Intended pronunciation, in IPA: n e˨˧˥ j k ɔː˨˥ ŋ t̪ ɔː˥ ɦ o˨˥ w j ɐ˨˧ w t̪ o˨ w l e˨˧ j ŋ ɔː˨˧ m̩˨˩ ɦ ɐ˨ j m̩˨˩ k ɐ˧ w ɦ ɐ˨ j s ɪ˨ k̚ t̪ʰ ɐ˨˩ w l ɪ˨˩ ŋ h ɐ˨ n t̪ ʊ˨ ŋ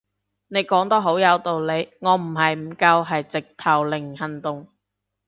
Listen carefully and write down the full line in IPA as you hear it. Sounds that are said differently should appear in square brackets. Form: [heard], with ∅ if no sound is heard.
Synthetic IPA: n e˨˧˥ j k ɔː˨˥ ŋ t̪ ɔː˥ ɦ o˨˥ w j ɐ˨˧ w t̪ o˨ w l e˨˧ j ŋ ɔː˨˧ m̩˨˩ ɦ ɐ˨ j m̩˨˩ k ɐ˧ w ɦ ɐ˨ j [t͡s] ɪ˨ k̚ t̪ʰ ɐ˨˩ w l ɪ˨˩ ŋ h ɐ˨ n t̪ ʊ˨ ŋ